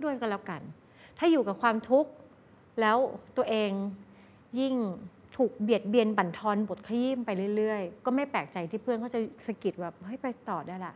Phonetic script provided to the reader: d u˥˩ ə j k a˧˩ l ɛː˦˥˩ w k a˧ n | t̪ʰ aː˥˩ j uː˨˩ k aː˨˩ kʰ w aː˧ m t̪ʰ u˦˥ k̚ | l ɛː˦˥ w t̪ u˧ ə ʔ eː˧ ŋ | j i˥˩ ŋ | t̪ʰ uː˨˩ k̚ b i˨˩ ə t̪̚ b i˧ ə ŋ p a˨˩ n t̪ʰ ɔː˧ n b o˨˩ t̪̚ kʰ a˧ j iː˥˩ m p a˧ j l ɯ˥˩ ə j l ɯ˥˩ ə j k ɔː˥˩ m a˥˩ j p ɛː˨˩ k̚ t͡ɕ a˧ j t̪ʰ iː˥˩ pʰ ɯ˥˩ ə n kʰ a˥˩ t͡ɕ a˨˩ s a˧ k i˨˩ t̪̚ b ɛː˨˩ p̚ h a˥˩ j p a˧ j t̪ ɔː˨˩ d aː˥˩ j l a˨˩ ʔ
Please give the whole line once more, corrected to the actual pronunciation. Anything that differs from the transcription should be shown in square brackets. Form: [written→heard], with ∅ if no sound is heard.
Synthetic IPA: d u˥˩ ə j k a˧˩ l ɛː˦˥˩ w k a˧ n | t̪ʰ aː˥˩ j uː˨˩ k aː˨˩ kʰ w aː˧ m t̪ʰ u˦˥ k̚ | l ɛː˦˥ w t̪ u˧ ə ʔ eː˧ ŋ | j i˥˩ ŋ | t̪ʰ uː˨˩ k̚ b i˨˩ ə t̪̚ b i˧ ə [ŋ→n] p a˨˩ n t̪ʰ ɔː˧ n b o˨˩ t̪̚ kʰ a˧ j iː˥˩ m p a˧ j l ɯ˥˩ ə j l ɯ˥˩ ə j k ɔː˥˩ m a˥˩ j p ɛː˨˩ k̚ t͡ɕ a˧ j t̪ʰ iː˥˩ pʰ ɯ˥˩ ə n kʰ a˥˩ t͡ɕ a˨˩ s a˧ k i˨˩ t̪̚ b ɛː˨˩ p̚ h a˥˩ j p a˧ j t̪ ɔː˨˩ d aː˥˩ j l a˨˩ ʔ